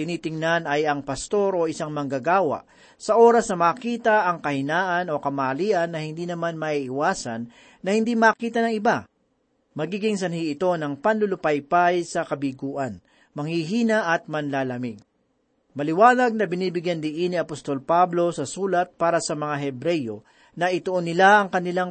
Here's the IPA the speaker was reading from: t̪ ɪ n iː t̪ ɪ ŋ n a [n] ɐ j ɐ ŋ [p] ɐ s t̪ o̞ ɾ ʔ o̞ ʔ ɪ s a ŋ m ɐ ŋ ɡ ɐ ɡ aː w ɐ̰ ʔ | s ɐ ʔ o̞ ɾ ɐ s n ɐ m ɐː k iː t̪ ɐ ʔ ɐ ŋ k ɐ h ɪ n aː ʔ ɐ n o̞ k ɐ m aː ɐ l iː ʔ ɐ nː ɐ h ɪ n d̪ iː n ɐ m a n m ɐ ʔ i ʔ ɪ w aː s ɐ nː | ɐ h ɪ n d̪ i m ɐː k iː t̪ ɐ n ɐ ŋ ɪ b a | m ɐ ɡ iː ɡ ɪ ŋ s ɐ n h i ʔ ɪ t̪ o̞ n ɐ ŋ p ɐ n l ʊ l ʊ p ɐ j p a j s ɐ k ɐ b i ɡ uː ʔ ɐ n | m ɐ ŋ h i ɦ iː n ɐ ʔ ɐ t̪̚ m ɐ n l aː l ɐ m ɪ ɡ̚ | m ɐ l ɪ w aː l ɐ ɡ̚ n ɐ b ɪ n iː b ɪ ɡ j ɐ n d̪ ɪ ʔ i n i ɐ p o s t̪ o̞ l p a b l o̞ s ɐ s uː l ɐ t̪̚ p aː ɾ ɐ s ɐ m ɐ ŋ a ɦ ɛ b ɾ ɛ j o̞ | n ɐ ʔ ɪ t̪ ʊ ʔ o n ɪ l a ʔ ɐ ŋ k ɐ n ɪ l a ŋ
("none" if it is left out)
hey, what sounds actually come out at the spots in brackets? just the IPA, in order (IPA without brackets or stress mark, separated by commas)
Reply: n, p